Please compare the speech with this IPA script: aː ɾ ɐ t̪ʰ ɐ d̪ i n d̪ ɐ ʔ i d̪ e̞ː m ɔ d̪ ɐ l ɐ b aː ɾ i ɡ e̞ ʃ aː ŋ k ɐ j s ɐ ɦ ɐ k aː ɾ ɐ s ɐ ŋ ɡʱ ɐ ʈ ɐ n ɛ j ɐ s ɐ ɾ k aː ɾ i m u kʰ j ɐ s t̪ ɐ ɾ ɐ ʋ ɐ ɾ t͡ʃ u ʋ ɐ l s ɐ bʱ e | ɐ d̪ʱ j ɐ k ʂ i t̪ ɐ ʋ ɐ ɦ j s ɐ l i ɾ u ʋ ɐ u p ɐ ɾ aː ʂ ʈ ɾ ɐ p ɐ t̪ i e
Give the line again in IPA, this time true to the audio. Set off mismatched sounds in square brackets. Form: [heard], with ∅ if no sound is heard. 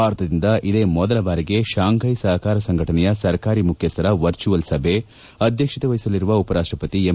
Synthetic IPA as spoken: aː ɾ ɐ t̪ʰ ɐ d̪ i n d̪ ɐ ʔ i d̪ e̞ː m ɔ d̪ ɐ l ɐ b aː ɾ i ɡ e̞ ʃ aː ŋ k ɐ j s ɐ ɦ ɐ k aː ɾ ɐ s ɐ ŋ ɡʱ ɐ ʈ ɐ n ɛ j ɐ s ɐ ɾ k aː ɾ i m u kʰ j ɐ s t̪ ɐ ɾ ɐ ʋ ɐ ɾ t͡ʃ u ʋ ɐ l s ɐ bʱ e | ɐ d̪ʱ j ɐ k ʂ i t̪ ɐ ʋ ɐ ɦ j s ɐ l i ɾ u ʋ ɐ u p ɐ ɾ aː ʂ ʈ ɾ ɐ p ɐ t̪ i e